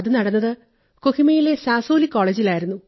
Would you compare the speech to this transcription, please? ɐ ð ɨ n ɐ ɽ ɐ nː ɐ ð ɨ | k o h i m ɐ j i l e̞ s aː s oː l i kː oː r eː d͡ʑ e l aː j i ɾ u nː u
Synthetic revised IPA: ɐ ð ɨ n ɐ ɽ ɐ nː ɐ ð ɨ | k o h i m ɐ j i l e̞ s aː s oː l i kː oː ɭ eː d͡ʑ i l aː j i ɾ u nː u